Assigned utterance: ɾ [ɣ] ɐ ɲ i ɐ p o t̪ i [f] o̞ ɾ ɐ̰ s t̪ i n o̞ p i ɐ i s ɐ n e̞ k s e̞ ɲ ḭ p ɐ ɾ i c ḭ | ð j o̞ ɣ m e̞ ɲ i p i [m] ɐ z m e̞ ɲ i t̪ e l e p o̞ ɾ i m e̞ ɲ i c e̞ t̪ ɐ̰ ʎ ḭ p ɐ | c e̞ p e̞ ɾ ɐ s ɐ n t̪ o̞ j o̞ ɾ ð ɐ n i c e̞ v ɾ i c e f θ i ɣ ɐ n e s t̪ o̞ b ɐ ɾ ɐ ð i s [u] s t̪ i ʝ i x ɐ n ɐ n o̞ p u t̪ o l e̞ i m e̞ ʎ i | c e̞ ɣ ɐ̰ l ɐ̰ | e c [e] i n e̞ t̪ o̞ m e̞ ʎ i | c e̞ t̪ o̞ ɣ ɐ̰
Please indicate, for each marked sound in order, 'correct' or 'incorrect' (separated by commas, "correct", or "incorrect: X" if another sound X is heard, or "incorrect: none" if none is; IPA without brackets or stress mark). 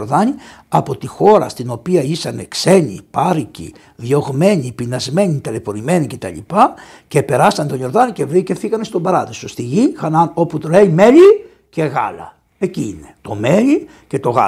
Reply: incorrect: ð, incorrect: x, incorrect: n, incorrect: o, incorrect: i